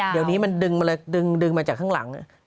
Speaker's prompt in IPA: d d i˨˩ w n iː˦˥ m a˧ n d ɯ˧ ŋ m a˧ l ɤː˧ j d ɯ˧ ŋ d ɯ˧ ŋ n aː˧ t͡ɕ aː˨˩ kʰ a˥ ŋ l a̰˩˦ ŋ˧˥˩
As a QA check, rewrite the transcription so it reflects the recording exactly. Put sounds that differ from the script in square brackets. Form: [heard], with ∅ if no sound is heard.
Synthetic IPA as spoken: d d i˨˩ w n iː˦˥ m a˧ n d ɯ˧ ŋ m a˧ l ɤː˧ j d ɯ˧ ŋ d ɯ˧ ŋ [m] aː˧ t͡ɕ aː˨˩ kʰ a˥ ŋ l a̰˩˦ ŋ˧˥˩